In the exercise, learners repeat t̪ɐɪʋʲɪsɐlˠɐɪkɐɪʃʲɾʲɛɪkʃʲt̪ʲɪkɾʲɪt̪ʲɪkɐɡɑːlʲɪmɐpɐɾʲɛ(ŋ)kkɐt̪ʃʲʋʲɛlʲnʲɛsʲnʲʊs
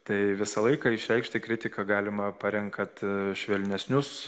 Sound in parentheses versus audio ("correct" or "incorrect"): correct